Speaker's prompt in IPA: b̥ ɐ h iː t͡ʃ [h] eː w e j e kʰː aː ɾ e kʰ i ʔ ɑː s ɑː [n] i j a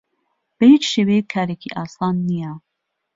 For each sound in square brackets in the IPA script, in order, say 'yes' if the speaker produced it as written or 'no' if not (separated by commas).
no, no